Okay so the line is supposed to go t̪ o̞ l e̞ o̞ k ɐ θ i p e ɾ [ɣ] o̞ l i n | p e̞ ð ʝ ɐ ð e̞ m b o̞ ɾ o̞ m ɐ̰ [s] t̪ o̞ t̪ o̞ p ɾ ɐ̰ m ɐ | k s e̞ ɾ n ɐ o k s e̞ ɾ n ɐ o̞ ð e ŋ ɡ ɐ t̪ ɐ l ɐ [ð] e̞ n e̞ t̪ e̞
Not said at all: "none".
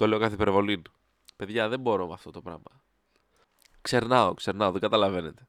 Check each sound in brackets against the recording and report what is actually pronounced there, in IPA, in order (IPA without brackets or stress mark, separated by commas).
v, f, v